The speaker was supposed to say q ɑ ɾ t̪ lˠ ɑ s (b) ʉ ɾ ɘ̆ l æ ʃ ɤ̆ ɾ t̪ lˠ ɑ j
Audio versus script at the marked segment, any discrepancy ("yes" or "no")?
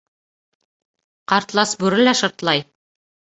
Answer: no